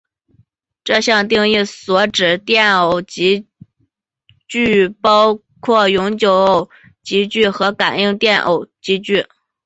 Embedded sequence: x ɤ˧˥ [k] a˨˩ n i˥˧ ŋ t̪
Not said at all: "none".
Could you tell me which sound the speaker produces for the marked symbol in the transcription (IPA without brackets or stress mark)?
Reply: k